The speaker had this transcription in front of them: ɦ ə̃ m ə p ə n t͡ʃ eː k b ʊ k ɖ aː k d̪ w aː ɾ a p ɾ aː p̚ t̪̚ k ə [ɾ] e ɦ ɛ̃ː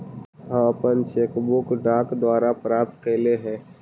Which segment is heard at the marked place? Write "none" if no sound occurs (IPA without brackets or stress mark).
l